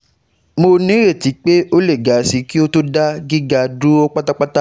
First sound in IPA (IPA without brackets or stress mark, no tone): m